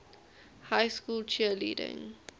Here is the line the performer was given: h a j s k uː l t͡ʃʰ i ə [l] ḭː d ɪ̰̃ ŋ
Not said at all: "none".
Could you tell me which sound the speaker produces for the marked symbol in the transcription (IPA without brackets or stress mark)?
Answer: l